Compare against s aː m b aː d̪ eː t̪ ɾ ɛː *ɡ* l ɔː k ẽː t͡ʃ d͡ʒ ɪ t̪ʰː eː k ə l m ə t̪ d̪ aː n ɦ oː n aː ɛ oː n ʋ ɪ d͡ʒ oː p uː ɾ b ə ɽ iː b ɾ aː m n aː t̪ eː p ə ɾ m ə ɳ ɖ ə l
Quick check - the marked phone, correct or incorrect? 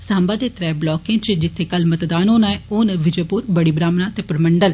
incorrect